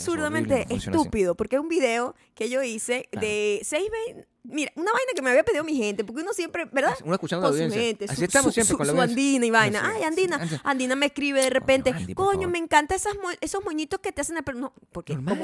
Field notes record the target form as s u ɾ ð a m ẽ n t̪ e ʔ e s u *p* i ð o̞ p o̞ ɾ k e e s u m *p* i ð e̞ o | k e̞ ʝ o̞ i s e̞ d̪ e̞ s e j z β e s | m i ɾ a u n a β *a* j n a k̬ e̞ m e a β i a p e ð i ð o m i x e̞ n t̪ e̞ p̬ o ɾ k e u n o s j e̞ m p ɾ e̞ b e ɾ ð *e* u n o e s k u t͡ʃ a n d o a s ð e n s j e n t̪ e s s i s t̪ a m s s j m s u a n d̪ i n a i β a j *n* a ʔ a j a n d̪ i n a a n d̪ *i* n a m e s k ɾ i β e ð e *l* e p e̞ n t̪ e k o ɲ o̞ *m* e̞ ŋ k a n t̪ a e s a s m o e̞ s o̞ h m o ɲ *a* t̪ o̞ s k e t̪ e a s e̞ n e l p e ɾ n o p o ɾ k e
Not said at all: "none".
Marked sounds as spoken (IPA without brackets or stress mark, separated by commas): p, b, a, a, n, i, r, m, i